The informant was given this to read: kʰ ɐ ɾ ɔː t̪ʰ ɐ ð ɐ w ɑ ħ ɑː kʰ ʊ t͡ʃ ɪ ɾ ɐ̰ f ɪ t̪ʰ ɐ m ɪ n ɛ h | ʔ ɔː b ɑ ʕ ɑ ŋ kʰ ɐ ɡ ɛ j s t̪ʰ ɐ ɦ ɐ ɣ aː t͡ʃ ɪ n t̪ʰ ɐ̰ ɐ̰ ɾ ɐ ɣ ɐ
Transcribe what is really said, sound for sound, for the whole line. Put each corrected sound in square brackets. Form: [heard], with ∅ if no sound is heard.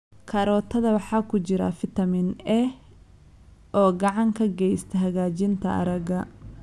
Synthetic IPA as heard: kʰ ɐ ɾ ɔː t̪ʰ ɐ ð ɐ w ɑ ħ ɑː kʰ ʊ t͡ʃ ɪ ɾ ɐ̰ f ɪ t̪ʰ ɐ m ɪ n ɛ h | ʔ ɔː [ɡ] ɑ ʕ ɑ ŋ kʰ ɐ ɡ ɛ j s t̪ʰ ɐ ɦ ɐ ɣ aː t͡ʃ ɪ n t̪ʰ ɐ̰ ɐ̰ ɾ ɐ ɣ ɐ